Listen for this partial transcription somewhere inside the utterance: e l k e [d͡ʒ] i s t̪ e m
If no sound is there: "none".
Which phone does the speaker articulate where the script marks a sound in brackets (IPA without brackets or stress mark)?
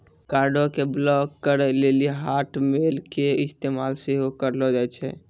none